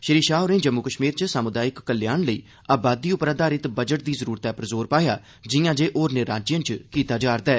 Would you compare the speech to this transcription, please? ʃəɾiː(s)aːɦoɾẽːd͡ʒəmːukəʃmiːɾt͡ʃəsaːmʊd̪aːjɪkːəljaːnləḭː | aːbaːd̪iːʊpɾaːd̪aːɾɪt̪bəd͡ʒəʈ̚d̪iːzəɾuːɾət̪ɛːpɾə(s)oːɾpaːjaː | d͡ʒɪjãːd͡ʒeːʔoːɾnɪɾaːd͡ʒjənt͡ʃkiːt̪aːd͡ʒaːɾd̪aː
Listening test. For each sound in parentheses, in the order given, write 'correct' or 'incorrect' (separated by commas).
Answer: incorrect, incorrect